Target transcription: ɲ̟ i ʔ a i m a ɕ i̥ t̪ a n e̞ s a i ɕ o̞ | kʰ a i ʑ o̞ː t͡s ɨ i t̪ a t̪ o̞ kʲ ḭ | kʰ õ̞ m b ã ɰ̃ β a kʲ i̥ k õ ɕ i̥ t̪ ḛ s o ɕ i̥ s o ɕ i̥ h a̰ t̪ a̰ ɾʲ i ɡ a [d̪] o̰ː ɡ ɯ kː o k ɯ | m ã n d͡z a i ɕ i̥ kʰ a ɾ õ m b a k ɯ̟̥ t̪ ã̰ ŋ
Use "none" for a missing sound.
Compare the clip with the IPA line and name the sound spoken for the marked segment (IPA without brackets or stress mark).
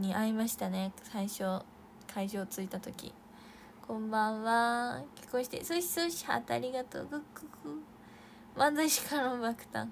t̪